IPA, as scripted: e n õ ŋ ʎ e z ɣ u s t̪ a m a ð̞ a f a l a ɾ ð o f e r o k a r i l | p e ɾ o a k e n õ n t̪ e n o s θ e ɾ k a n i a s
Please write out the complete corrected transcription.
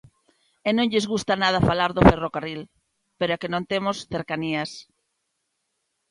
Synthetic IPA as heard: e n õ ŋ ʎ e z ɣ u s t̪ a n a ð̞ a f a l a ɾ ð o f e r o k a r i l | p e ɾ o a k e n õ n t̪ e m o s θ e ɾ k a n i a s